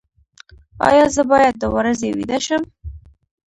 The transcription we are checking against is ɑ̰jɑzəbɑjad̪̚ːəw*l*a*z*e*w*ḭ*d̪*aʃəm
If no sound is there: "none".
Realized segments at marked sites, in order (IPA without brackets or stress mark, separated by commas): ɾ, z, w, d̪